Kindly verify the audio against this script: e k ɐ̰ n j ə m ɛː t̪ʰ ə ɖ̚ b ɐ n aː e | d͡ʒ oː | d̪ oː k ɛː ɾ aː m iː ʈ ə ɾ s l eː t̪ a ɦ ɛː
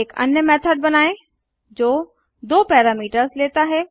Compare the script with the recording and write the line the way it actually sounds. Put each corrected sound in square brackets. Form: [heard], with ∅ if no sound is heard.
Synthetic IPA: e k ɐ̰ n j ə m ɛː t̪ʰ ə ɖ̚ b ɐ n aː e | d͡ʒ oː | d̪ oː [p] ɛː ɾ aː m iː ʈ ə ɾ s l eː t̪ a ɦ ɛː